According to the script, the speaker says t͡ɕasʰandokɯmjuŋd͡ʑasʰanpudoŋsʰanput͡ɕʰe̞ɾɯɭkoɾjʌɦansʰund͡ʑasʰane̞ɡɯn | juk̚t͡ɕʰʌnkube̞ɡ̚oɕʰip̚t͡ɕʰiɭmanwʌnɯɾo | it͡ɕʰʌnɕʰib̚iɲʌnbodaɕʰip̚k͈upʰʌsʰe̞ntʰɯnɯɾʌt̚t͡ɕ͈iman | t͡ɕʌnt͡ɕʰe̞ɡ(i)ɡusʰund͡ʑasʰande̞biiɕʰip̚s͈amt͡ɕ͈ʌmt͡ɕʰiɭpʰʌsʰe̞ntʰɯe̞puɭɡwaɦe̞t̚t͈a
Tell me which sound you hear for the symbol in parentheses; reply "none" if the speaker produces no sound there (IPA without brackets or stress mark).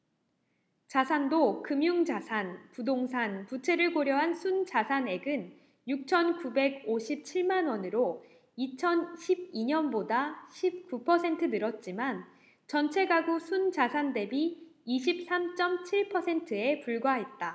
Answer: a